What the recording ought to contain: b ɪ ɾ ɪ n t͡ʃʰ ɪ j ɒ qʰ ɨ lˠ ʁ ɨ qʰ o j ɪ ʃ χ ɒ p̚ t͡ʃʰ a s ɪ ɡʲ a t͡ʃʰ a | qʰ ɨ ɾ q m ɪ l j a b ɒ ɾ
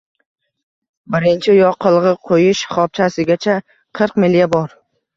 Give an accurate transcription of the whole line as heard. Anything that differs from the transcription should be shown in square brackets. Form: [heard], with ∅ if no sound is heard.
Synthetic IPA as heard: b ɪ ɾ ɪ n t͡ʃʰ ɪ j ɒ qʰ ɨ lˠ ʁ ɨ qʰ o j ɪ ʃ χ ɒ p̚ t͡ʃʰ a s ɪ ɡʲ a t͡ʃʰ a | qʰ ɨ ɾ q m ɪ l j a b ɒ ɾ